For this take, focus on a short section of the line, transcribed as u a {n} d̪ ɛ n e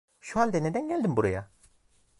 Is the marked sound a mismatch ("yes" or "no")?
no